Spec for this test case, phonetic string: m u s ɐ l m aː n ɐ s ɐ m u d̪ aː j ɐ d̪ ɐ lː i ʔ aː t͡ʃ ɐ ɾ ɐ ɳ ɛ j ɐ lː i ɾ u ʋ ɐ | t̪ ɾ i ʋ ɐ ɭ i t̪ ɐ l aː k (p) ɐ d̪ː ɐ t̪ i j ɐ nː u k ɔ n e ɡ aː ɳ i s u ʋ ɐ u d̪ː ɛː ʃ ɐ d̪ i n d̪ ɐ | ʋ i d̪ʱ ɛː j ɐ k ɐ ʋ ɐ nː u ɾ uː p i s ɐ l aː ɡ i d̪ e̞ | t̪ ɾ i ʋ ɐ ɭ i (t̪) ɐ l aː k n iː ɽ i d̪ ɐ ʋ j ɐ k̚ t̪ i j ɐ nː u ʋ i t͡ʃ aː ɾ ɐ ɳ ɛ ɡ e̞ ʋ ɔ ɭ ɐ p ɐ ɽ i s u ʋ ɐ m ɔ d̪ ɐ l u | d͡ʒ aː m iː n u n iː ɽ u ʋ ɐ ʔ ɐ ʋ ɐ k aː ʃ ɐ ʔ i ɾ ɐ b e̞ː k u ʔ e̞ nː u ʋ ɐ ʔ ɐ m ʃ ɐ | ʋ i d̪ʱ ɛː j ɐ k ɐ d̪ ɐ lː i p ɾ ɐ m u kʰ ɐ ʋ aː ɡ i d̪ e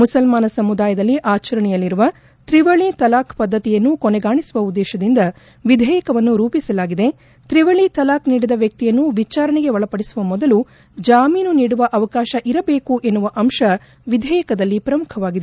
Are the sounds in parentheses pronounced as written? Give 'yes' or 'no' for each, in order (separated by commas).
yes, yes